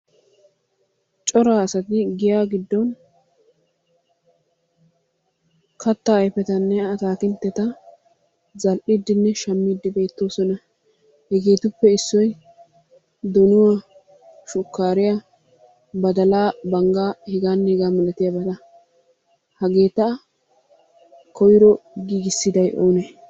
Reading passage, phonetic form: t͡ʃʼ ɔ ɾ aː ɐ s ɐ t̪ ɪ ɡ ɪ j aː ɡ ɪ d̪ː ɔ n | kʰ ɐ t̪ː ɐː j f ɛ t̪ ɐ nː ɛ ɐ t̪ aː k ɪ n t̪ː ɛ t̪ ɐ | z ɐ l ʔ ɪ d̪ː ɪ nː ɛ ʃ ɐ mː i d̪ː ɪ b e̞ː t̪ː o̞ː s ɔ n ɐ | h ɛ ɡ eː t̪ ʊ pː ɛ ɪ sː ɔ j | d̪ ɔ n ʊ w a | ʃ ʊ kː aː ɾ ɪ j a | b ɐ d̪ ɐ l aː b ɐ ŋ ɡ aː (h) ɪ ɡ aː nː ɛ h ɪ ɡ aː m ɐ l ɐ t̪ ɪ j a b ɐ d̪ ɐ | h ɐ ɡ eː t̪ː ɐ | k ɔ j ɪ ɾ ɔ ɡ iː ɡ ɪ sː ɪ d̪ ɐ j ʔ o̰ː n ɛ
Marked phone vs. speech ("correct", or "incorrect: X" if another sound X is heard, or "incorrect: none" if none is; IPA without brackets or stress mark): correct